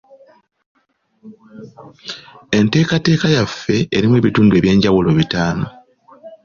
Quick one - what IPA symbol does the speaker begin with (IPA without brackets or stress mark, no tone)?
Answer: e̞